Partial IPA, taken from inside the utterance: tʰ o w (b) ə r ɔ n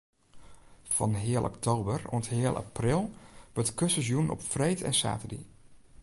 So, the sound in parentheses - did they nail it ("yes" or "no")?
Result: yes